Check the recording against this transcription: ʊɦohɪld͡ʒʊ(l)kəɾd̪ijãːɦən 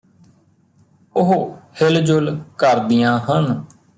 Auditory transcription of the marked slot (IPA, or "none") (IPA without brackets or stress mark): l